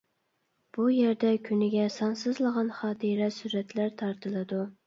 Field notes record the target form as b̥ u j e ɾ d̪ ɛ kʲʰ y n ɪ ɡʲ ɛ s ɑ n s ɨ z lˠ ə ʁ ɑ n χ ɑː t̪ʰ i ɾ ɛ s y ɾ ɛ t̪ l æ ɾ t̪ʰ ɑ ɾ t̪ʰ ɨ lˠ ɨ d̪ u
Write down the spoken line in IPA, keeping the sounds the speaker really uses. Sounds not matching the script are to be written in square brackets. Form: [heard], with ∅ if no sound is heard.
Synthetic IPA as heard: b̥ u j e ɾ d̪ ɛ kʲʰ y n ɪ ɡʲ ɛ s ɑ n s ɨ z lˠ ə ʁ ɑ n χ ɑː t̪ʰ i ɾ ɛ s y ɾ ɛ t̪ l æ ɾ t̪ʰ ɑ ɾ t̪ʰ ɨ lˠ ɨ d̪ u